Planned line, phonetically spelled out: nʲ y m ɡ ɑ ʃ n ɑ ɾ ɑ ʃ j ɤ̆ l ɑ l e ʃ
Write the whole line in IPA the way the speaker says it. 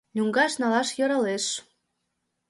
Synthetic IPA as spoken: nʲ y ŋ ɡ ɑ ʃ n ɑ l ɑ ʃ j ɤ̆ ɾ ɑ l e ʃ